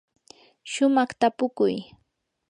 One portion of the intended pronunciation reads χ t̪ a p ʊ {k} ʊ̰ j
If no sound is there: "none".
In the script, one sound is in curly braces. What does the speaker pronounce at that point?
k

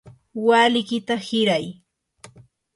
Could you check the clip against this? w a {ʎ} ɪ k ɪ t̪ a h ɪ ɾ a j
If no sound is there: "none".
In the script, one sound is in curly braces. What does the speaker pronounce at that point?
l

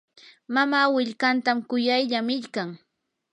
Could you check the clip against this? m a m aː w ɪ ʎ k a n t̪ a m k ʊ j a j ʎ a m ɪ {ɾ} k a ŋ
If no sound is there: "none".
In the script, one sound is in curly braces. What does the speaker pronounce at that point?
ʎ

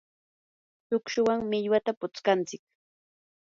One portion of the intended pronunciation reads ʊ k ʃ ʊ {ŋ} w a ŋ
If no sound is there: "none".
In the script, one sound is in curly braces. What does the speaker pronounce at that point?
none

